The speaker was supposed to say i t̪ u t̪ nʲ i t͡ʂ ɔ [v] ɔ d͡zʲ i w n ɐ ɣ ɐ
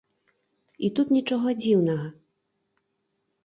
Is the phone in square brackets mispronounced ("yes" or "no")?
yes